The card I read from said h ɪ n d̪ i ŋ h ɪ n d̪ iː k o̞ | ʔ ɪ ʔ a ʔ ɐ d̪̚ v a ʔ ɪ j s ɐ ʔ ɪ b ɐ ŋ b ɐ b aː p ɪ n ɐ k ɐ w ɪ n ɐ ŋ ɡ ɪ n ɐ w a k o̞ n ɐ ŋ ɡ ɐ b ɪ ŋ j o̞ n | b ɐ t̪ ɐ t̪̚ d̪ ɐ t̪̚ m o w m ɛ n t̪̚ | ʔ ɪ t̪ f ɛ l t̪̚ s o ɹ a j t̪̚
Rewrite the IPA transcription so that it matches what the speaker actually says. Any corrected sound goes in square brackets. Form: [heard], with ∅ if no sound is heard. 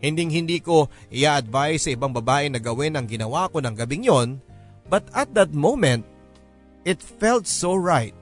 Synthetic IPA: h ɪ n d̪ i ŋ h ɪ n d̪ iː k o̞ | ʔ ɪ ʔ a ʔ ɐ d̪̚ v a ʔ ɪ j s ɐ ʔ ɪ b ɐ ŋ b ɐ b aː [ʔ] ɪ n ɐ [ɡ] ɐ w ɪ n ɐ ŋ ɡ ɪ n ɐ w a k o̞ n ɐ ŋ ɡ ɐ b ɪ ŋ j o̞ n | b ɐ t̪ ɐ t̪̚ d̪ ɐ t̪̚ m o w m ɛ n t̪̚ | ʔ ɪ t̪ f ɛ l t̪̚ s o ɹ a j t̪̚